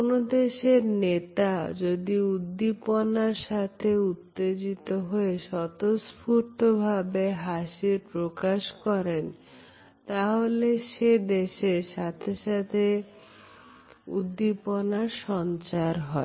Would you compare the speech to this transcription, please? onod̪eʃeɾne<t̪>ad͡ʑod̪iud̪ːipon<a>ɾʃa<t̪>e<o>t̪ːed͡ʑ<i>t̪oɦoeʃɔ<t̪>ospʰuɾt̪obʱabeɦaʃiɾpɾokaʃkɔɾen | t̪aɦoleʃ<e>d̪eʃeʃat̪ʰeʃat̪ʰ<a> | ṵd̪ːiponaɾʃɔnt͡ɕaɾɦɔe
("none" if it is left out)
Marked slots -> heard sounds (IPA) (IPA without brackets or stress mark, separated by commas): t̪, a, t̪ʰ, u, i, t̪, e, e